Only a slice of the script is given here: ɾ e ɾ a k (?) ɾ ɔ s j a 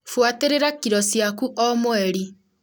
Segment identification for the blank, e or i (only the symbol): i